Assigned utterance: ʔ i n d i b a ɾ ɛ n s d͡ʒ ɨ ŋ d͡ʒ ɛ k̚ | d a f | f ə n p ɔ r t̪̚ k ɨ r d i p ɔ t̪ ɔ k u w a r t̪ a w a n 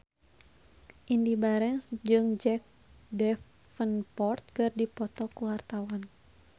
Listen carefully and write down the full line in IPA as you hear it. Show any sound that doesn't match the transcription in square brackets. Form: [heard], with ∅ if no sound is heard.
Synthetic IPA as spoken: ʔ i n d i b a ɾ ɛ n s d͡ʒ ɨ ŋ d͡ʒ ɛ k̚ | d [ɛ] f | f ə n p ɔ r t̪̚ k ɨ r d i p ɔ t̪ ɔ k u w a r t̪ a w a n